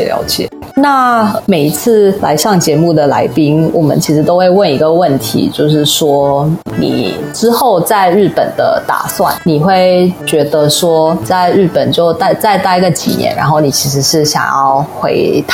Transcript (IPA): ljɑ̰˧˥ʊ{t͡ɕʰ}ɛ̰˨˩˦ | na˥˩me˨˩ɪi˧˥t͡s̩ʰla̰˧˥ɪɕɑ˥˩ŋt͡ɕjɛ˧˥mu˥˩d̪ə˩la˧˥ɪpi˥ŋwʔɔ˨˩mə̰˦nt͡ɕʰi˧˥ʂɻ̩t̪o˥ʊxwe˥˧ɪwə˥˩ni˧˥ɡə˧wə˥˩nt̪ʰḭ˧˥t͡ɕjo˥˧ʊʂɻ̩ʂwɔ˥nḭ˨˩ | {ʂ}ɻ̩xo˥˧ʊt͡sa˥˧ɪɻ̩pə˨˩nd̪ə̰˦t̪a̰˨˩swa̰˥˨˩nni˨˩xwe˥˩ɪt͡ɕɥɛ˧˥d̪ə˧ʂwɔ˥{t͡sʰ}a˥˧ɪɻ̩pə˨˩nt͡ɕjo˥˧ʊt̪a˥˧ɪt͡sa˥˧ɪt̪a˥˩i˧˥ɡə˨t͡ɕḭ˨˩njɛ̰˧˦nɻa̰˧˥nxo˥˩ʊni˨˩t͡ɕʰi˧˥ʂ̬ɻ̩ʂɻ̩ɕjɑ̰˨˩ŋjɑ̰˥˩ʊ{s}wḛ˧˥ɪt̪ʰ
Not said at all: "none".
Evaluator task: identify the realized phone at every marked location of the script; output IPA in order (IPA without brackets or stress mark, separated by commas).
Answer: t͡ɕ, ʈ͡ʂ, t͡s, x